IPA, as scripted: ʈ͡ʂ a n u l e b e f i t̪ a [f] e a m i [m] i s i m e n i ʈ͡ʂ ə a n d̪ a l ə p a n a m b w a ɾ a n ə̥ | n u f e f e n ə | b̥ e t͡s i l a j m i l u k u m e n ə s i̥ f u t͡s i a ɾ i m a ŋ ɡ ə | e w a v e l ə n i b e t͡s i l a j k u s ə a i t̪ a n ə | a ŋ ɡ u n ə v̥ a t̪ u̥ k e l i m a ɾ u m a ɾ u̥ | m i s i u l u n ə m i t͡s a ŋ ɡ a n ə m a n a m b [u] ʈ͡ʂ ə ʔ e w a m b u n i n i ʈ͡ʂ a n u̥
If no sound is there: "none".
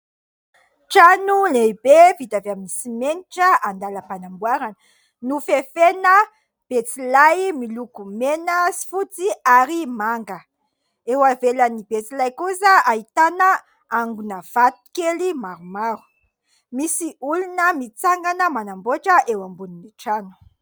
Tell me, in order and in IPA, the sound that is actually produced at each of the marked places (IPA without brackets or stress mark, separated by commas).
v, n, o